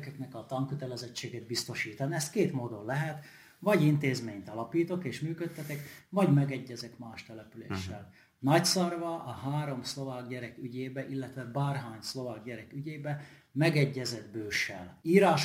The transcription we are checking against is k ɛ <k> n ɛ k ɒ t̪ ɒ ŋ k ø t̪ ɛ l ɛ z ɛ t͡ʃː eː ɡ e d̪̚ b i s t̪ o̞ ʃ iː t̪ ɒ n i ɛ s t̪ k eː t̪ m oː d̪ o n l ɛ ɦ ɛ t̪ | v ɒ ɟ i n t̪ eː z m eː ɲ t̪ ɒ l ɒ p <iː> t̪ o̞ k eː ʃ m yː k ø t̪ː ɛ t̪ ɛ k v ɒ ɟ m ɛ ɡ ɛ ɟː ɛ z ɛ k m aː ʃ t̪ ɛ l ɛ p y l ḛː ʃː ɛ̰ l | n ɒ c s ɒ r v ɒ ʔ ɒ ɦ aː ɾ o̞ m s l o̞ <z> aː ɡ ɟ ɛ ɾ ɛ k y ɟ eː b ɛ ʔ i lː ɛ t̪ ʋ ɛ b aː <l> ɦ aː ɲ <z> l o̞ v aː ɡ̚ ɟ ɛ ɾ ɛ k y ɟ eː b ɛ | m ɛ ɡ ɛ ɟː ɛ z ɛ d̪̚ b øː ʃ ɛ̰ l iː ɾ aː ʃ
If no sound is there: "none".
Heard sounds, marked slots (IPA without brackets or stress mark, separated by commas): k, iː, v, r, s